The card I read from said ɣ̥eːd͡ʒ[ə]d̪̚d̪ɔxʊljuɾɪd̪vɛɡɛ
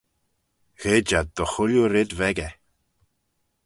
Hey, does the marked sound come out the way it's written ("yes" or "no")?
no